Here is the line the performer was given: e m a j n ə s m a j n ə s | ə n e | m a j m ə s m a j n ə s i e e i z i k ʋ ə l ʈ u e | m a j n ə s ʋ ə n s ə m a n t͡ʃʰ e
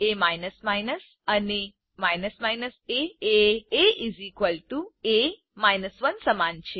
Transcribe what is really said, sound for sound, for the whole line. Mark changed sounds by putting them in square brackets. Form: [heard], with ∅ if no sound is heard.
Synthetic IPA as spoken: e m a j n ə s m a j n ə s | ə n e | m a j [n] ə s m a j n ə s [e] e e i z i k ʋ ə l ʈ u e | m a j n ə s ʋ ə n s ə m a n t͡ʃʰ e